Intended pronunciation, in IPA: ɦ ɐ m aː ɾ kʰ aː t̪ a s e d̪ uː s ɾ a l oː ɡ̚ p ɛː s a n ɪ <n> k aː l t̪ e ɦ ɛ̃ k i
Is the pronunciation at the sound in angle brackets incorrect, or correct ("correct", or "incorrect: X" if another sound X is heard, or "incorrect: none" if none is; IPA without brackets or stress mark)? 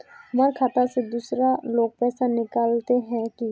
incorrect: none